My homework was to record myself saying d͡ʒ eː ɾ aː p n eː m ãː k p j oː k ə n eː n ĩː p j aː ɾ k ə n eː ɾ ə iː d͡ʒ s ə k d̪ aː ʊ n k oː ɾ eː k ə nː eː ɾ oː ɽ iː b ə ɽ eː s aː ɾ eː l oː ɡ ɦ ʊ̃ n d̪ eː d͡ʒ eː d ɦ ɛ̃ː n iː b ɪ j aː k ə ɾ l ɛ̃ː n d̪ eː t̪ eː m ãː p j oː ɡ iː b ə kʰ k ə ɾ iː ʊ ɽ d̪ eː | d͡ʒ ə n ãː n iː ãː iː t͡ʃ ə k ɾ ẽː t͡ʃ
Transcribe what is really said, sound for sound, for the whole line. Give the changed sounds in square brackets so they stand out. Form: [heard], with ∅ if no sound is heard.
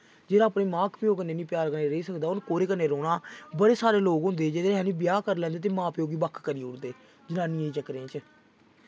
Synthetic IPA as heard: d͡ʒ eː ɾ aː p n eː m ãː k p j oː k ə n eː n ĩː p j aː ɾ k ə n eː ɾ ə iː [∅] s ə k d̪ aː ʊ n k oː ɾ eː k ə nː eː ɾ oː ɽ [aː] b ə ɽ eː s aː ɾ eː l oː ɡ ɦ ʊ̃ n d̪ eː d͡ʒ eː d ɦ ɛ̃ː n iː b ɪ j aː k ə ɾ l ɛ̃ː n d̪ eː t̪ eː m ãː p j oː ɡ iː b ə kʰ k ə ɾ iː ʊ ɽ d̪ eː | d͡ʒ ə n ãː n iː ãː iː t͡ʃ ə k ɾ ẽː t͡ʃ